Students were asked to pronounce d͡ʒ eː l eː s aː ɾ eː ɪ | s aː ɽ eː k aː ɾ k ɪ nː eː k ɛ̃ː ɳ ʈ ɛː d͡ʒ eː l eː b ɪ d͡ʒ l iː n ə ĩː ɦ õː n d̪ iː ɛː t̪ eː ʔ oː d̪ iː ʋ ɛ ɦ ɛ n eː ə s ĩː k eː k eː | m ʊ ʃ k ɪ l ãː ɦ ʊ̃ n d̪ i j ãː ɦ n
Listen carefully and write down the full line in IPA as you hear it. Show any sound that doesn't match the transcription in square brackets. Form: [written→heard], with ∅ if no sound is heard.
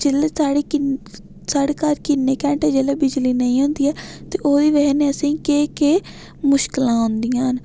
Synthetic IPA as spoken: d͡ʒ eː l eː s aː [ɾ→ɽ] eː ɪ | s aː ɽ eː k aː ɾ k ɪ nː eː k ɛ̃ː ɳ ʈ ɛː d͡ʒ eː l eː b ɪ d͡ʒ l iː n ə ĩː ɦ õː n d̪ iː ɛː t̪ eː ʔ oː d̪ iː ʋ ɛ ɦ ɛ n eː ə s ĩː k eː k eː | m ʊ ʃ k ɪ l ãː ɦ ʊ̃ n d̪ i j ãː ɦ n

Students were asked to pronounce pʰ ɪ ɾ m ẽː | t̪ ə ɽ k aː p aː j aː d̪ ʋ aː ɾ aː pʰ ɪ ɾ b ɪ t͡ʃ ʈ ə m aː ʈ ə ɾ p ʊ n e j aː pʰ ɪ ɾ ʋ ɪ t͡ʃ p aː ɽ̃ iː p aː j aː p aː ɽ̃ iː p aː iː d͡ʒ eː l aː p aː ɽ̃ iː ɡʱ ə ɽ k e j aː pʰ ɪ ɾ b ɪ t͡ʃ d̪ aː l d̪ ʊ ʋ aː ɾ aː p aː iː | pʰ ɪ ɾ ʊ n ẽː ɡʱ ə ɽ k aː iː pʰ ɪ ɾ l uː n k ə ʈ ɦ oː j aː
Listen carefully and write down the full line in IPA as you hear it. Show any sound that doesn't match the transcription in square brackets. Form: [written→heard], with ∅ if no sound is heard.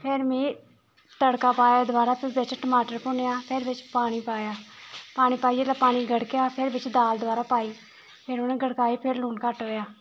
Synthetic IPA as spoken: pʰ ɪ ɾ m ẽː | t̪ ə ɽ k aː p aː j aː d̪ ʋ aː ɾ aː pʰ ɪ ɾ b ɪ t͡ʃ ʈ ə m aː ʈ ə ɾ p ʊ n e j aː pʰ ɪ ɾ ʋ ɪ t͡ʃ p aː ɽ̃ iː p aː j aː p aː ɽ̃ iː p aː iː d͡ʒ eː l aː p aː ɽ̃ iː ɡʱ ə ɽ k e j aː pʰ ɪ ɾ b ɪ t͡ʃ d̪ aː l d̪ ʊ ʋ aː ɾ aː p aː iː | pʰ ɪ ɾ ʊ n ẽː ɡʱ ə ɽ k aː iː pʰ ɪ ɾ l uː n k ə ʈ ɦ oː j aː

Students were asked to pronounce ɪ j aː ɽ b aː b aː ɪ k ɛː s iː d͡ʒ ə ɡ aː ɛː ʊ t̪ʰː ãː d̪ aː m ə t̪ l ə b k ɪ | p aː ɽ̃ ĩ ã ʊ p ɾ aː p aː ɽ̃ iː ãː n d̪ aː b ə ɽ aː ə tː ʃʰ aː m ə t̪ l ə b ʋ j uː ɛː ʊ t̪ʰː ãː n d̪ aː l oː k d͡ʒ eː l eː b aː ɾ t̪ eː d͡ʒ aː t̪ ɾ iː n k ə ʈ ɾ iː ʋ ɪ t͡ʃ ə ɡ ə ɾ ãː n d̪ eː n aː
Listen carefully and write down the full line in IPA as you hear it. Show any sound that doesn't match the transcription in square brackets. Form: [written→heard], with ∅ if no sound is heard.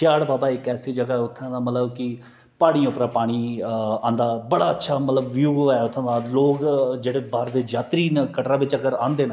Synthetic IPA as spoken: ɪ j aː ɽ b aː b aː ɪ k ɛː s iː d͡ʒ ə ɡ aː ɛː ʊ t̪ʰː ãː d̪ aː m ə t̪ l ə b k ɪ | p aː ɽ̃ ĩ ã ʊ p ɾ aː p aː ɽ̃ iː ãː n d̪ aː b ə ɽ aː ə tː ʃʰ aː m ə t̪ l ə b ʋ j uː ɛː ʊ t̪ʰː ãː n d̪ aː l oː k d͡ʒ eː [l→ɽ] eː b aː ɾ [t̪→d̪] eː d͡ʒ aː t̪ ɾ iː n k ə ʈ ɾ [iː→aː] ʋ ɪ t͡ʃ ə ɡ ə ɾ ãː n d̪ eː n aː

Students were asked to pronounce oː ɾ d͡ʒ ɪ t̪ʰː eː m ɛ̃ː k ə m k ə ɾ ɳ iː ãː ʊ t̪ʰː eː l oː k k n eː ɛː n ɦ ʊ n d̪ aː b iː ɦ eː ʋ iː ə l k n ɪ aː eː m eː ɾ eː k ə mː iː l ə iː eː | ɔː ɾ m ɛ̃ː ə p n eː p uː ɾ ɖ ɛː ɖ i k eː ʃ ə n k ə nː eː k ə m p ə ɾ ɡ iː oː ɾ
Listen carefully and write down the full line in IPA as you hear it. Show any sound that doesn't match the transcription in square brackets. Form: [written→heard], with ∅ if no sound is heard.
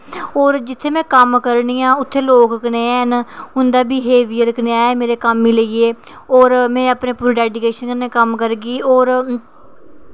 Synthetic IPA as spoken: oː ɾ d͡ʒ ɪ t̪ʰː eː m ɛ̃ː k ə m k ə ɾ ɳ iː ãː ʊ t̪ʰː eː l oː k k n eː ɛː n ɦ ʊ n d̪ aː b iː ɦ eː ʋ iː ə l k n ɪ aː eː m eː ɾ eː k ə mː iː l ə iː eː | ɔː ɾ m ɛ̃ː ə p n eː p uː ɾ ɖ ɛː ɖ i k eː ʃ ə n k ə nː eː k ə m [p→k] ə ɾ ɡ iː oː ɾ

